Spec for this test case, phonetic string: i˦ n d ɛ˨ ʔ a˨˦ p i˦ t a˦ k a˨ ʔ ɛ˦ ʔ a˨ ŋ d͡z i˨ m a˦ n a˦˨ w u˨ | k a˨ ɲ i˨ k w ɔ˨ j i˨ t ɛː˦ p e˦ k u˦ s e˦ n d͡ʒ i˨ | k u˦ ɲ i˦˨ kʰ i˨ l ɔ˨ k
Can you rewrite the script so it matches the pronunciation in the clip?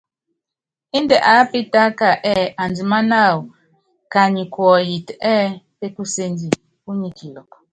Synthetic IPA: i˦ n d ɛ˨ ʔ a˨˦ p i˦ t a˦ k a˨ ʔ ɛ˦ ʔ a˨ n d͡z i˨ m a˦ n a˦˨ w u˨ | k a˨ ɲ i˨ k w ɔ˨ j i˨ t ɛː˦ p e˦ k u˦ s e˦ n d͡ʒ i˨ | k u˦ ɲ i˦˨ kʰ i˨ l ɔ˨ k

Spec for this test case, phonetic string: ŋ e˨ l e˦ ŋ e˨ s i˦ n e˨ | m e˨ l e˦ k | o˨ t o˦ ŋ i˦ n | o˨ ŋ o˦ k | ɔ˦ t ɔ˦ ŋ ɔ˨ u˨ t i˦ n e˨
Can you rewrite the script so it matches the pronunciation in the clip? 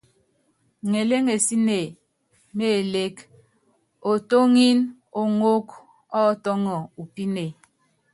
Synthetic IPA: ŋ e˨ l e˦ ŋ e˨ s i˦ n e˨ | m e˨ l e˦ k | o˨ t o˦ ŋ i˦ n | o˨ ŋ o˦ k | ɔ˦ t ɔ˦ ŋ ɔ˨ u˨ p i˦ n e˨

